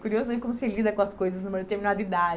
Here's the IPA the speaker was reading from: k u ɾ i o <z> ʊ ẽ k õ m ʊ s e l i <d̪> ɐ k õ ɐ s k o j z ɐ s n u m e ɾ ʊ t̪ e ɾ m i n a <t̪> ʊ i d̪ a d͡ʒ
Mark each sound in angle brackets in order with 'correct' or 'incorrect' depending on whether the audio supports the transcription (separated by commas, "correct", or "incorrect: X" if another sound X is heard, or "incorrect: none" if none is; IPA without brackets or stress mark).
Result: correct, correct, incorrect: d̪